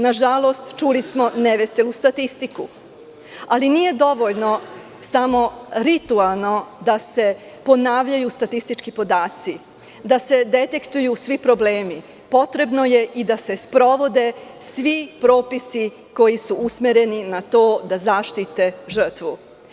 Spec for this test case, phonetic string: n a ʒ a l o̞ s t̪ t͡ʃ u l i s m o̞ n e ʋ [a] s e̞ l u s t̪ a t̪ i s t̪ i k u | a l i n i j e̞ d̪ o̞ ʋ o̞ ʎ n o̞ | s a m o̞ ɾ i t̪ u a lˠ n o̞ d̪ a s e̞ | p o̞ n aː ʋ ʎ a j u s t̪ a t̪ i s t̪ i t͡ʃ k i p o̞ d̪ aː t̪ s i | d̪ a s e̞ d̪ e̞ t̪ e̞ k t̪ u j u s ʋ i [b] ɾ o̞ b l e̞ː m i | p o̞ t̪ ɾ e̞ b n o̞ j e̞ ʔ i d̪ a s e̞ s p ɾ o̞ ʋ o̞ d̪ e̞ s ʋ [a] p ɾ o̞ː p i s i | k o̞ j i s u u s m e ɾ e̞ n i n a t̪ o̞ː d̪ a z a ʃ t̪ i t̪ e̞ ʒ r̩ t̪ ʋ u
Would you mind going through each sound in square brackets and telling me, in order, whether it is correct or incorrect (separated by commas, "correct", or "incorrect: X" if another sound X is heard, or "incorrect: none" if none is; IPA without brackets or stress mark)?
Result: incorrect: e, incorrect: p, incorrect: i